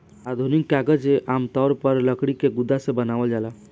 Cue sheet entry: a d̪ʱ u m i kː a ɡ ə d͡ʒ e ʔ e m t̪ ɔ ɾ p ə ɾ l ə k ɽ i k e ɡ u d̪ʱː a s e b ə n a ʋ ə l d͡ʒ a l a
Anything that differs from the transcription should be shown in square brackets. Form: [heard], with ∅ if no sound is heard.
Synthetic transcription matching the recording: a d̪ʱ u [n] i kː a ɡ ə d͡ʒ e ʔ [a] m t̪ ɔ ɾ p ə ɾ l ə k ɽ i k e ɡ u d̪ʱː a s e b ə n a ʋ ə l d͡ʒ a l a

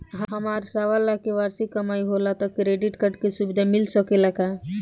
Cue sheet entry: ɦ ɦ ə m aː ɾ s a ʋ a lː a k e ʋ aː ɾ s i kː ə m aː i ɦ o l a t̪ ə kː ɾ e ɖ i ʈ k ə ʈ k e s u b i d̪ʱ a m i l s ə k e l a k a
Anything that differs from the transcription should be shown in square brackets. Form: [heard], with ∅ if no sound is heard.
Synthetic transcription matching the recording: ɦ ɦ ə m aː ɾ s a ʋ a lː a k e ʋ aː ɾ s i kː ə m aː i ɦ o l a t̪ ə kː ɾ e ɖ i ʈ k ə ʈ k e s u b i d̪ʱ a m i l s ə k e l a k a

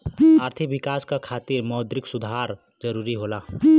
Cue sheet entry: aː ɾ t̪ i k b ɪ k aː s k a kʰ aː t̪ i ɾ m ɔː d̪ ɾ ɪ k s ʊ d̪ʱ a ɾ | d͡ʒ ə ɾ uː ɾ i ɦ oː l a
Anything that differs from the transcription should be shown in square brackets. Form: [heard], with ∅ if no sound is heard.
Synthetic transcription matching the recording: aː ɾ [t̪ʰ] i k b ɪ k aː s k a kʰ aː t̪ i ɾ m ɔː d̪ ɾ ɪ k s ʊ d̪ʱ a ɾ | d͡ʒ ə ɾ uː ɾ i ɦ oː l a

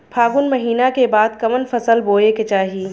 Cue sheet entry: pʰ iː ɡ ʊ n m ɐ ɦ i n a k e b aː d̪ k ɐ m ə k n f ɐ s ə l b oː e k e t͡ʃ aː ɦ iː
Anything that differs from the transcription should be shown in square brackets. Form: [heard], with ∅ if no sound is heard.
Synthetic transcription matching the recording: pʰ [aː] ɡ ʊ n m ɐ ɦ [iː] n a k e b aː d̪ k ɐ m ə [∅] n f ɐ s ə l b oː e k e t͡ʃ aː ɦ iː

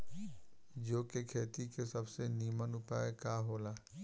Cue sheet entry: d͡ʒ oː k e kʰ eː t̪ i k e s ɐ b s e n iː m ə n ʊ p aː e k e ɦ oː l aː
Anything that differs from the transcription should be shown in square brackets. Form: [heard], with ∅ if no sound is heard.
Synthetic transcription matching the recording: d͡ʒ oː k e kʰ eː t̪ i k e s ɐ b s e n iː m ə n ʊ p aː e k [a] ɦ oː l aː

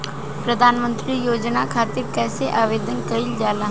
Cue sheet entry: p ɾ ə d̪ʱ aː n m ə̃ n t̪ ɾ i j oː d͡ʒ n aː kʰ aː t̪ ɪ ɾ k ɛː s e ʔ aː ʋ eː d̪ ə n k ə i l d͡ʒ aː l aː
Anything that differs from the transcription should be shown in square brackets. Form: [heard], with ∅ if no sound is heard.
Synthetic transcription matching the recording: p ɾ ə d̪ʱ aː n m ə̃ n t̪ ɾ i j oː d͡ʒ n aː kʰ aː t̪ ɪ ɾ k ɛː s e ʔ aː ʋ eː d̪ ə n k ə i l d͡ʒ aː l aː

